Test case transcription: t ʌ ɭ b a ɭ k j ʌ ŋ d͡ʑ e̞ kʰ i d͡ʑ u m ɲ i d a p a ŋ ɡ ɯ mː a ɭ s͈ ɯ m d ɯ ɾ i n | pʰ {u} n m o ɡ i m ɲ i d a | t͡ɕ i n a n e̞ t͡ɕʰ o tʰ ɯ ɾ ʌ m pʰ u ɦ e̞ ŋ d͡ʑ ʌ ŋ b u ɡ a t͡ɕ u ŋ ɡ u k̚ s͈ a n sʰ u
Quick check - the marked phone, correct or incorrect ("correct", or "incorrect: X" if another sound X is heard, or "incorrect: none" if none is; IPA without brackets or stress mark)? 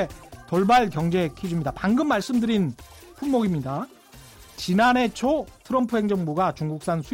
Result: correct